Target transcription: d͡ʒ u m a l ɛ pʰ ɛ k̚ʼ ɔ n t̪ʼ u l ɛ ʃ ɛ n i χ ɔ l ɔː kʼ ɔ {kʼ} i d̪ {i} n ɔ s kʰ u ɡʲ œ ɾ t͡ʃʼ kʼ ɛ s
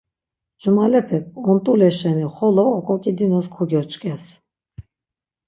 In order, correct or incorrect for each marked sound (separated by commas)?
correct, correct